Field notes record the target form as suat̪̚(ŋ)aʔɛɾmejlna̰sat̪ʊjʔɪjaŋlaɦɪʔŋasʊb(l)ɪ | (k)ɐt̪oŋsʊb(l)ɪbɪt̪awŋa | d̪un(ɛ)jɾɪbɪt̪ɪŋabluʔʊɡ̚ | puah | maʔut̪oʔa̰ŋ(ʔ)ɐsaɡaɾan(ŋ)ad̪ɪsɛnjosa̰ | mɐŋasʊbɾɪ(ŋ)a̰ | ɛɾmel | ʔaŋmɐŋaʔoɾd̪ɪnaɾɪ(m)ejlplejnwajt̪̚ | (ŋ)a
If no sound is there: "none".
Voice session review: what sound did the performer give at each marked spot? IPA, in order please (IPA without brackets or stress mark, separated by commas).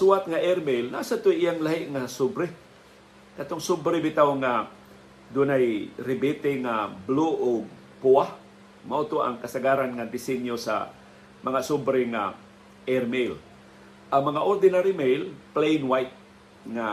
ŋ, ɾ, k, ɾ, a, k, ŋ, ŋ, m, ŋ